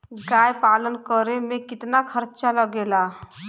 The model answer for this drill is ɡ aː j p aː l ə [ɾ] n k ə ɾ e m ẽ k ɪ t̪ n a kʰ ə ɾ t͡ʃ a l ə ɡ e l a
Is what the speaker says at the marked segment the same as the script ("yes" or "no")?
no